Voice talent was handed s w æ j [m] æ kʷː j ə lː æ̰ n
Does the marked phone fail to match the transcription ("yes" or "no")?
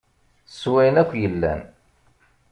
yes